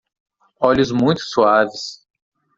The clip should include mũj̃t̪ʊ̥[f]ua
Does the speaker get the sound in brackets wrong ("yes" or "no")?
yes